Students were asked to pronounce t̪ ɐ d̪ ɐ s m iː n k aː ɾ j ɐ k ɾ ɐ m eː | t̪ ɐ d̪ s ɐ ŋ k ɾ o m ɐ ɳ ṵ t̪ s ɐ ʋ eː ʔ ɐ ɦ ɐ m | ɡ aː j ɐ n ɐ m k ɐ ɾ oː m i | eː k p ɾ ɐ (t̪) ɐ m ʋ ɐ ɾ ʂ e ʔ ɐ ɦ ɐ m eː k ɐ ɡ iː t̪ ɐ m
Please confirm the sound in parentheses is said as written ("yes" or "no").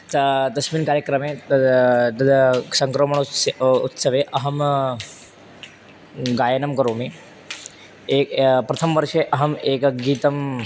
no